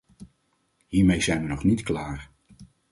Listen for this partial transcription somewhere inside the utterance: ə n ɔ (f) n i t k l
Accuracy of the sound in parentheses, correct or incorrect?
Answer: incorrect